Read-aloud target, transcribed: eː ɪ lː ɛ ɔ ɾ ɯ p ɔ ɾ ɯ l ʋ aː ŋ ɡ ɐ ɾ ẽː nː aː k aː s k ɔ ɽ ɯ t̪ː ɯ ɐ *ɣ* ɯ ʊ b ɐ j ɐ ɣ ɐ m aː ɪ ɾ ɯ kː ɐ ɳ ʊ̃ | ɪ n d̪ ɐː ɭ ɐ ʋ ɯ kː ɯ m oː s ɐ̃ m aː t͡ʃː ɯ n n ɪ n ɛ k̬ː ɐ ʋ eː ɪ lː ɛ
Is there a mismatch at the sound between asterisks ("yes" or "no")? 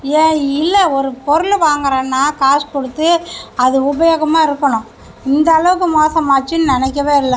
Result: yes